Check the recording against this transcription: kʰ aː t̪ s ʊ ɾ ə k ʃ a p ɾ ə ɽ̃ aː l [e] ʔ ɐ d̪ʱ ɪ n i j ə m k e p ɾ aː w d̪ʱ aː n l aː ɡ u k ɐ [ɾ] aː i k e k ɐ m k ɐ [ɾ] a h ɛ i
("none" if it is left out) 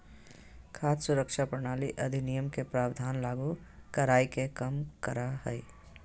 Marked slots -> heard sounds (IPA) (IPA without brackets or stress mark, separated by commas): i, ɾ, ɾ